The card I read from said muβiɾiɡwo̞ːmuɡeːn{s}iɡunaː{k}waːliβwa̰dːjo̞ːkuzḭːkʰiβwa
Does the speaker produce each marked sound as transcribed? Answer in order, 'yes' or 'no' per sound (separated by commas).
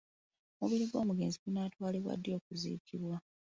no, no